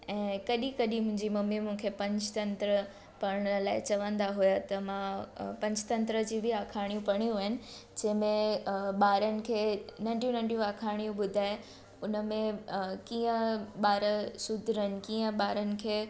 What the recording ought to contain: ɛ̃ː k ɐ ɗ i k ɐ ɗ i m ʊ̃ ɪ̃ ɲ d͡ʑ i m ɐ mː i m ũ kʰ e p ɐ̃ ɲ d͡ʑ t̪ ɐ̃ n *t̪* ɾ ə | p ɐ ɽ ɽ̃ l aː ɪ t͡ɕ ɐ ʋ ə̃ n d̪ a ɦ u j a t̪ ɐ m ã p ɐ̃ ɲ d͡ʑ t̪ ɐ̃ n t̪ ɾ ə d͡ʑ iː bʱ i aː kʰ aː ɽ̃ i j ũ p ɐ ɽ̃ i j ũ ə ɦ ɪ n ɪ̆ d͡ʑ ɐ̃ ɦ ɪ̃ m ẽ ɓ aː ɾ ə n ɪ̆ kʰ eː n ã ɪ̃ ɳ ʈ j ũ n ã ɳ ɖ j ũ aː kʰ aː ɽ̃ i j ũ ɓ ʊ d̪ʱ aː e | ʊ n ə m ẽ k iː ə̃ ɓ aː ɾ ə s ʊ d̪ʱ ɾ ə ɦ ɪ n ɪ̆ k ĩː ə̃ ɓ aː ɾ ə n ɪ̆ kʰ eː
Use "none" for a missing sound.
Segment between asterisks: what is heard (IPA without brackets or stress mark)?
t̪